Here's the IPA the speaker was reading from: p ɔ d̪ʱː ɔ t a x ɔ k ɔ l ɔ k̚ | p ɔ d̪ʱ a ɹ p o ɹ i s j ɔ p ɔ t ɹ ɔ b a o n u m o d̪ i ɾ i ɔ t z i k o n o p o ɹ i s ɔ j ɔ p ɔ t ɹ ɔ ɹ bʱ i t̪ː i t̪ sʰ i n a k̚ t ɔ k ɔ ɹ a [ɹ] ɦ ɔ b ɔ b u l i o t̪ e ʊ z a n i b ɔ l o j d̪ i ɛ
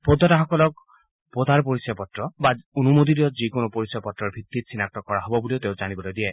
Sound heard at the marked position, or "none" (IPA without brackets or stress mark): none